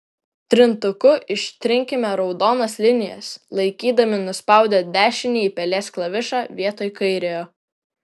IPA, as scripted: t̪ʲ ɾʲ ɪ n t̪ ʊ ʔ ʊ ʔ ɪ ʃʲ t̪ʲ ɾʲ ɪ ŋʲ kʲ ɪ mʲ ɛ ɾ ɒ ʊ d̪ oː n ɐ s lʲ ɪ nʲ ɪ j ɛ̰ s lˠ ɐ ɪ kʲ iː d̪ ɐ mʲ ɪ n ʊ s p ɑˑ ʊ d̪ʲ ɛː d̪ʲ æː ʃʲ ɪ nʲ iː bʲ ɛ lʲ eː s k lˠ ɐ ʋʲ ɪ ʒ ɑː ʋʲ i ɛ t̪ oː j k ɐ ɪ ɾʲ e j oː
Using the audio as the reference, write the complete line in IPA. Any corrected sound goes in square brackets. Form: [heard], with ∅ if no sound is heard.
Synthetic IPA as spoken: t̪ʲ ɾʲ ɪ n t̪ ʊ [k] ʊ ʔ ɪ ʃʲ t̪ʲ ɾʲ ɪ ŋʲ kʲ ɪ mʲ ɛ ɾ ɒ ʊ d̪ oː n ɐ s lʲ ɪ nʲ ɪ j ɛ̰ s lˠ ɐ ɪ kʲ iː d̪ ɐ mʲ ɪ n ʊ s p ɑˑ ʊ d̪ʲ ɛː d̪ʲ æː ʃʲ ɪ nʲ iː [pʲ] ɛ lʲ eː s k lˠ ɐ ʋʲ ɪ [ʃ] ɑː ʋʲ i ɛ t̪ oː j k ɐ ɪ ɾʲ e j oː